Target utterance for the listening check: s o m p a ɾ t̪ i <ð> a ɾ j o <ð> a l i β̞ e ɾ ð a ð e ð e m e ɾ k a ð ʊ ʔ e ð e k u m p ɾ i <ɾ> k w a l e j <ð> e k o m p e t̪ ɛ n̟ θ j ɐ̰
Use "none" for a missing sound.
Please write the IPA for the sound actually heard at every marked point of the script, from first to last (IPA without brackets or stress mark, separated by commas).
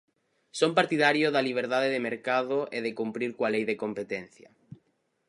ð, ð, ɾ, ð